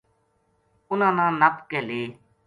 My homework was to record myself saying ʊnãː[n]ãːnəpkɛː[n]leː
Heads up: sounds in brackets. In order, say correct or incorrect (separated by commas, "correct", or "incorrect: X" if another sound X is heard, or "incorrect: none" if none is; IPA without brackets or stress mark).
correct, incorrect: none